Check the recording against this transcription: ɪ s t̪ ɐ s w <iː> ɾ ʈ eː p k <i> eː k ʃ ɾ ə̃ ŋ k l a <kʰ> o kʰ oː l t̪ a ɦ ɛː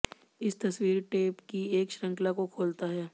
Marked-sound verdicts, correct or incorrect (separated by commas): correct, correct, incorrect